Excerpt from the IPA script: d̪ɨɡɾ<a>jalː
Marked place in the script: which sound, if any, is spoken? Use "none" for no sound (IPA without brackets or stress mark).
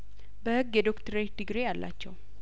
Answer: e